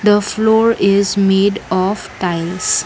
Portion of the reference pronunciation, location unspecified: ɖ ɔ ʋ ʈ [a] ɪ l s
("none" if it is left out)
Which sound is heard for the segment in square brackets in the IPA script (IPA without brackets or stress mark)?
a